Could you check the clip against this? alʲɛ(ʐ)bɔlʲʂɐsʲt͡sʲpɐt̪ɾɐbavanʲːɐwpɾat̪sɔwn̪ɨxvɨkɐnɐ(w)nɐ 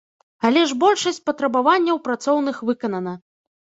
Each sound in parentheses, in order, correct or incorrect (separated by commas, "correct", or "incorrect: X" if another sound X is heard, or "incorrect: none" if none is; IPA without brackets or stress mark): correct, incorrect: none